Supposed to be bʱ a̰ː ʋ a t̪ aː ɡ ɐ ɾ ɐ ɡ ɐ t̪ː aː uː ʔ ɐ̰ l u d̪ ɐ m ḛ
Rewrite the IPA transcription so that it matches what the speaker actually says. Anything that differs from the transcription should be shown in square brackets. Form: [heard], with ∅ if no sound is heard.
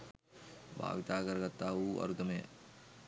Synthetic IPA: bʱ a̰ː ʋ [i] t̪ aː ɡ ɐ ɾ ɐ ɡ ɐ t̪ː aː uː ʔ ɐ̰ [ɾ] u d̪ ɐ m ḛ

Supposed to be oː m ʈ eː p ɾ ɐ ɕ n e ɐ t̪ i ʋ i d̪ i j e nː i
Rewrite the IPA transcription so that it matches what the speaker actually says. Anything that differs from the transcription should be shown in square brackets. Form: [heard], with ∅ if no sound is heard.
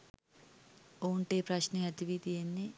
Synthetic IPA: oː [ɳ] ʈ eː p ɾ ɐ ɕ n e ɐ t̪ i ʋ i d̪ i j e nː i

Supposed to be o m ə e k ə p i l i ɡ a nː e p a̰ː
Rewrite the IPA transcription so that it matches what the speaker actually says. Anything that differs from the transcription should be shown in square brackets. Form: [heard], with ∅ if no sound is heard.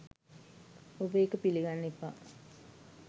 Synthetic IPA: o [b] ə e k ə p i l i ɡ a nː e p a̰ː

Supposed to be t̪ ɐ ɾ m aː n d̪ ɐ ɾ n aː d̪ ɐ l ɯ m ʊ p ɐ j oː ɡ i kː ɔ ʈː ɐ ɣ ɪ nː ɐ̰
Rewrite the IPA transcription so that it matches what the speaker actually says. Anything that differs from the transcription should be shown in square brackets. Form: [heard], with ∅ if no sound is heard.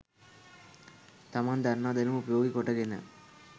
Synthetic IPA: t̪ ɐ [∅] m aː n d̪ ɐ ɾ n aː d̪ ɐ l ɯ m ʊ p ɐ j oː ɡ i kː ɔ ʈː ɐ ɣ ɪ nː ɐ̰

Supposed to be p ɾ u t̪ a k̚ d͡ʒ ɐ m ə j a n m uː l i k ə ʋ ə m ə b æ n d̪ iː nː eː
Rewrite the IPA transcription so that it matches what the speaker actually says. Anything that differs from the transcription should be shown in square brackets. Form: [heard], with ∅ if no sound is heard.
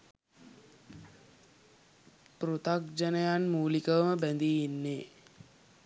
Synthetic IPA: p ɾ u t̪ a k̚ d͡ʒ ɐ [n] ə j a n m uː l i k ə ʋ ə m ə b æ n d̪ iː nː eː

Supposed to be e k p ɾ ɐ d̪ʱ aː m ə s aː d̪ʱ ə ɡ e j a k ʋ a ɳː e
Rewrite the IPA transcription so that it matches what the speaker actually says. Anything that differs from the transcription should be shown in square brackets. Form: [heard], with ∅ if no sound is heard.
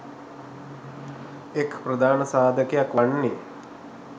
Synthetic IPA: e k p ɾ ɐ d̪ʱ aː [n] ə s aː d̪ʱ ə [k] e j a k ʋ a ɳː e

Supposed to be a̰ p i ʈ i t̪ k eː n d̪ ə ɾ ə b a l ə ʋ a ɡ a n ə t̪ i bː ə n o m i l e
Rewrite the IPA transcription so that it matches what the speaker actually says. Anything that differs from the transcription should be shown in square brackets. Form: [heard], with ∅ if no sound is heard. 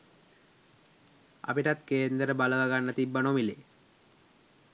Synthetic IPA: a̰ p i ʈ [a] t̪ k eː n d̪ ə ɾ ə b a l ə ʋ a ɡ a [nː] ə t̪ i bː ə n o m i l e

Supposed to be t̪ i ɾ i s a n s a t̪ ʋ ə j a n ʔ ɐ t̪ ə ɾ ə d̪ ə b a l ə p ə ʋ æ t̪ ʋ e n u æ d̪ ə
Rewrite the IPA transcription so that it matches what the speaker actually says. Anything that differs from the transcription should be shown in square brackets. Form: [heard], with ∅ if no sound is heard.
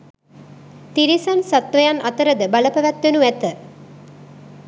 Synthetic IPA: t̪ i ɾ i s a n s a t̪ ʋ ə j a n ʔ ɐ t̪ ə ɾ ə d̪ ə b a l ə p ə ʋ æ t̪ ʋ e n u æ [t̪] ə

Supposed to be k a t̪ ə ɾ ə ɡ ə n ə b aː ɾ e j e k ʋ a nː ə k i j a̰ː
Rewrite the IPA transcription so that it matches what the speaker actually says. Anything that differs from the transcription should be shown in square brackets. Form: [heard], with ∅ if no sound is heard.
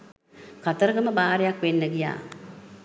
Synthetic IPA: k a t̪ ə ɾ ə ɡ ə [m] ə b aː ɾ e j [a] k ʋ [e] nː ə [ɡ] i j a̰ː

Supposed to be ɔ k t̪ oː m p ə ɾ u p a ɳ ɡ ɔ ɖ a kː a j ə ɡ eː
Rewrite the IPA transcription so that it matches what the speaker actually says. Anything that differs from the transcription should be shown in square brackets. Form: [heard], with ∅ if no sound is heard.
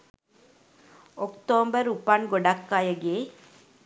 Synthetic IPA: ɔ k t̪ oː m [b] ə ɾ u p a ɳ ɡ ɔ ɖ a kː a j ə ɡ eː

